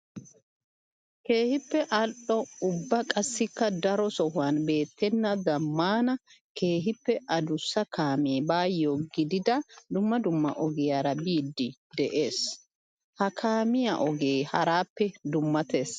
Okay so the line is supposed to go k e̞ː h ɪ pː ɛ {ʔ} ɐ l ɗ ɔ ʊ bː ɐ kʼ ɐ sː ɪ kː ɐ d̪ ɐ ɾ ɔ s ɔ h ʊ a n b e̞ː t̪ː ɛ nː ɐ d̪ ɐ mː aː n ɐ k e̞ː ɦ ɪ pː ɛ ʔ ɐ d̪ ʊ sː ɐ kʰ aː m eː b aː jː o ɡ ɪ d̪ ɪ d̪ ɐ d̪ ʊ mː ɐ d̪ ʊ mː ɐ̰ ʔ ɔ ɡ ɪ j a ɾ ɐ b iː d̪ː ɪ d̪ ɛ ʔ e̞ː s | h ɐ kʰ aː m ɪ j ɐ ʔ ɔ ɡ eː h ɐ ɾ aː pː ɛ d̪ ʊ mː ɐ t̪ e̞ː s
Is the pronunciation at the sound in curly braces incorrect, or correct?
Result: correct